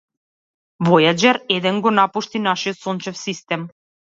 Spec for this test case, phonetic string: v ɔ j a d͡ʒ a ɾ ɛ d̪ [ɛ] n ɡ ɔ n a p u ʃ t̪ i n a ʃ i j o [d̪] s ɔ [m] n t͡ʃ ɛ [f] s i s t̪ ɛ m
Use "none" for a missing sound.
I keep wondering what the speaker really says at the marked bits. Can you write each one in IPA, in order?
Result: ɛ, t̪, none, f

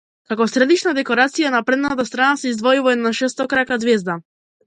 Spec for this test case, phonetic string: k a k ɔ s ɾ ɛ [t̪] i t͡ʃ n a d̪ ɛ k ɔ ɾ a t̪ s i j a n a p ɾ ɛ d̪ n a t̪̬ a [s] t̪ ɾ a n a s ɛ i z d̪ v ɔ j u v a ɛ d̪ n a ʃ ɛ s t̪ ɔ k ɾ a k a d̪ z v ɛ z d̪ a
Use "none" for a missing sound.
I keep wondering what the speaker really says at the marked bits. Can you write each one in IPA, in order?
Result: d̪, s

